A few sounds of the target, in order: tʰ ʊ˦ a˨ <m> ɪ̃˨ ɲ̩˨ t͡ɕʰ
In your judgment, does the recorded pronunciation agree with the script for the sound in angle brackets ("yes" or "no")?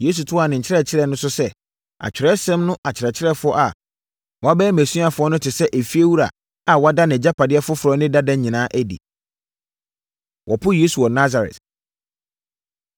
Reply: no